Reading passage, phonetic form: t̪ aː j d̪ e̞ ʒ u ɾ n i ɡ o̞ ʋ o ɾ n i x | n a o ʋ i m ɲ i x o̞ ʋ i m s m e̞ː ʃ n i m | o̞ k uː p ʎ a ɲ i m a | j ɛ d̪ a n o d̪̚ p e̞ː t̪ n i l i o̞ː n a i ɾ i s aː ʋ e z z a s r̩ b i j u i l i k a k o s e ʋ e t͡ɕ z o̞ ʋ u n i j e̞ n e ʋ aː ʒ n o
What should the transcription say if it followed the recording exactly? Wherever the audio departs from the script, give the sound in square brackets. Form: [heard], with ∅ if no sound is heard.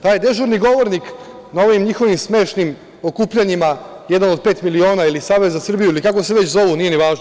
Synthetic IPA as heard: t̪ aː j d̪ e̞ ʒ u ɾ n i ɡ o̞ ʋ o ɾ n i [k] | n a o ʋ i m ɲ i x o̞ ʋ i m s m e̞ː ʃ n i m | o̞ k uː p ʎ a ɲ i m a | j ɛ d̪ a n o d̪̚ p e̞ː t̪ [m] i l i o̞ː n a i [l] i s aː ʋ e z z a s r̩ b i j u i l i k a k o s e ʋ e t͡ɕ z o̞ ʋ u n i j e̞ n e ʋ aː ʒ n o

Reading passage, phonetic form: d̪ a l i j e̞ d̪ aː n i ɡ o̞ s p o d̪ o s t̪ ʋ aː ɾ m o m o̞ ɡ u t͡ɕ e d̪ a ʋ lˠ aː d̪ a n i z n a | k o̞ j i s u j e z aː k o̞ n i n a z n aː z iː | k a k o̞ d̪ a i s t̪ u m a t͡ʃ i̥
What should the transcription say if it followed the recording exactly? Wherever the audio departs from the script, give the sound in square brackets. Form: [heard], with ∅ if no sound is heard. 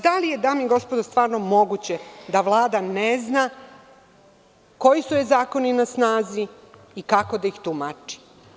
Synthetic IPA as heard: d̪ a l i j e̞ d̪ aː [m] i ɡ o̞ s p o d̪ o s t̪ ʋ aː ɾ [n] o m o̞ ɡ u t͡ɕ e d̪ a ʋ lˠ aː d̪ a n [e] z n a | k o̞ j i s u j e z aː k o̞ n i n a [s] n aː z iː | k a k o̞ d̪ a i [x] t̪ u m a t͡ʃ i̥

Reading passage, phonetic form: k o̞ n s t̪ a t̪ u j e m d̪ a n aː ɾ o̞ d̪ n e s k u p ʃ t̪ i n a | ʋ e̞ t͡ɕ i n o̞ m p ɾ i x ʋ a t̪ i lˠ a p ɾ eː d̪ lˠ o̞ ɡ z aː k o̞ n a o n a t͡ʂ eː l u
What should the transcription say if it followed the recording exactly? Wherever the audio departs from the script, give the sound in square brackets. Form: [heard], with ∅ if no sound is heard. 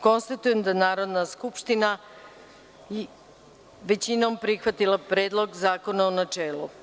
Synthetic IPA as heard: k o̞ n s t̪ a t̪ u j e m d̪ a n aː ɾ o̞ d̪ n [a] s k u p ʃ t̪ i n a | ʋ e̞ t͡ɕ i n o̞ m p ɾ i x ʋ a t̪ i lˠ a p ɾ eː d̪ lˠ o̞ ɡ z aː k o̞ n a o n a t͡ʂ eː l u

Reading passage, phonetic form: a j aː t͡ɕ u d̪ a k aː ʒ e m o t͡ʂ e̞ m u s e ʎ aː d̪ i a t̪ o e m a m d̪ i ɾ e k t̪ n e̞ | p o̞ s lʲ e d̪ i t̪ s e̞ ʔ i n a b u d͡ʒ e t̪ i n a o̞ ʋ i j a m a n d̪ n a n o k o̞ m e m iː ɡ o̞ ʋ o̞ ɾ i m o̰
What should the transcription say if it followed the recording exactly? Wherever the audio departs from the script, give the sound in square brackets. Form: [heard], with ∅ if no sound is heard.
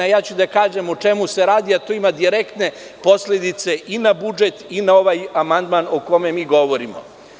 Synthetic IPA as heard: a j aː t͡ɕ u d̪ a k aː ʒ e m o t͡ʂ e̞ m u s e [ɾ] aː d̪ i a t̪ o [i] m a [∅] d̪ i ɾ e k t̪ n e̞ | p o̞ s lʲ e d̪ i t̪ s e̞ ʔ i n a b u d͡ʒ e t̪ i n a o̞ ʋ [a] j a m a n d̪ [m] a n o k o̞ m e m iː ɡ o̞ ʋ o̞ ɾ i m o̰

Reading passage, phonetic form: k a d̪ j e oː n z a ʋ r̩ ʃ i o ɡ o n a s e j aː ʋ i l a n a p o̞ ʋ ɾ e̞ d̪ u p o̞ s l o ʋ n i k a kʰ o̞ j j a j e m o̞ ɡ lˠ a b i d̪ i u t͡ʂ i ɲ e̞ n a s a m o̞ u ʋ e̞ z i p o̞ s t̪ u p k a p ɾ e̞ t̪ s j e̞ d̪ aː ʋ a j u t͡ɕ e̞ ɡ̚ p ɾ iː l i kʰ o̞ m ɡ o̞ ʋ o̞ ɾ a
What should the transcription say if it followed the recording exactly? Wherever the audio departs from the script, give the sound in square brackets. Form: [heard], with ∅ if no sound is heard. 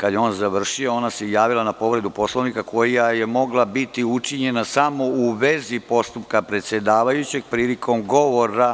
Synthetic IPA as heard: k a d̪ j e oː n z a ʋ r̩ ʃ i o [∅] o n a s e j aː ʋ i l a n a p o̞ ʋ ɾ e̞ d̪ u p o̞ s l o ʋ n i k a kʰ o̞ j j a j e m o̞ ɡ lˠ a b i [t̪] i u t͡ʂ i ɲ e̞ n a s a m o̞ u ʋ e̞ z i p o̞ s t̪ u p k a p ɾ e̞ t̪ s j e̞ d̪ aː ʋ a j u t͡ɕ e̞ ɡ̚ p ɾ iː l i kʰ o̞ m ɡ o̞ ʋ o̞ ɾ a

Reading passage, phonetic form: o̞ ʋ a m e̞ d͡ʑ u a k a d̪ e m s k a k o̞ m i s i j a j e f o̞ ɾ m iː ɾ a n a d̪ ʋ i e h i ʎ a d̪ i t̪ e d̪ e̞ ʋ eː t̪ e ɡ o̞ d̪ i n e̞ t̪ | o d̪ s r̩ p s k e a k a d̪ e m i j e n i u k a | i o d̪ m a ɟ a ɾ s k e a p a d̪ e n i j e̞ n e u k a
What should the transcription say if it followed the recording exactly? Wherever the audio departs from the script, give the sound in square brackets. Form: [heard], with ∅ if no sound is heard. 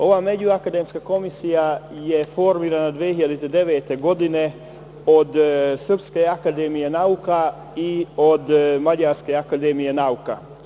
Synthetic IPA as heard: o̞ ʋ a m e̞ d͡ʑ u a k a d̪ e m s k a k o̞ m i s i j a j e f o̞ ɾ m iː ɾ a n a d̪ ʋ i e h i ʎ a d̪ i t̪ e d̪ e̞ ʋ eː t̪ e ɡ o̞ d̪ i n e̞ [∅] | o d̪ s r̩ p s k e a k a d̪ e m i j e n [a] u k a | i o d̪ m a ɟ a ɾ s k e a [k] a d̪ e [m] i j e̞ n [a] u k a

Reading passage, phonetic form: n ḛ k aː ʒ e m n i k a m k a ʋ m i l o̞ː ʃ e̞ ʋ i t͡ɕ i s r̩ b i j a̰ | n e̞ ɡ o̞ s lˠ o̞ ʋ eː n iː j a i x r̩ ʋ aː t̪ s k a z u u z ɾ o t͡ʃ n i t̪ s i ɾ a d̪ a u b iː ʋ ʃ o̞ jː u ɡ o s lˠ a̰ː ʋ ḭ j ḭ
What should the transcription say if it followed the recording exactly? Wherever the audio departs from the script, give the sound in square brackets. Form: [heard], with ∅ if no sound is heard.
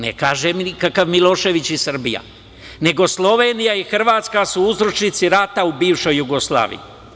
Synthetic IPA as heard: n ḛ k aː ʒ e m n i k a [∅] k a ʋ m i l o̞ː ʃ e̞ ʋ i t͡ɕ i s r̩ b i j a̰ | n e̞ ɡ o̞ s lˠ o̞ ʋ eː n [i] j a i x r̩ ʋ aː t̪ s k a [s] u u z ɾ o t͡ʃ n i t̪ s i ɾ a [t̪] a u b iː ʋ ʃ o̞ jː u ɡ o s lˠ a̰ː ʋ ḭ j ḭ

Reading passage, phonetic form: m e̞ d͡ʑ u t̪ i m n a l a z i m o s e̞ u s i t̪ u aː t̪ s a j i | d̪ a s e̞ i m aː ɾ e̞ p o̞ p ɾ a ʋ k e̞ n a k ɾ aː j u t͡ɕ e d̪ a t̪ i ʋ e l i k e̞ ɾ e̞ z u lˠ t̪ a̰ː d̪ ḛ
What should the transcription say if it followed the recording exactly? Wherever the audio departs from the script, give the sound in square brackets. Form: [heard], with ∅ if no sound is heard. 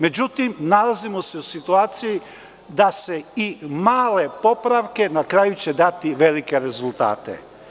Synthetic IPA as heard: m e̞ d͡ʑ u t̪ i m n a l a z i m o s e̞ u s i t̪ u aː t̪ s [i] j i | d̪ a s e̞ i m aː [l] e̞ p o̞ p ɾ a ʋ k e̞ n a k ɾ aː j u t͡ɕ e d̪ a t̪ i ʋ e l i k e̞ ɾ e̞ z u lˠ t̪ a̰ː [t̪] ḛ

